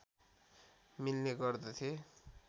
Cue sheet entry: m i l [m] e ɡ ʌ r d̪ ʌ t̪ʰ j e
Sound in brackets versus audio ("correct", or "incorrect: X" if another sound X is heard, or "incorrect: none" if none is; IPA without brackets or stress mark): incorrect: n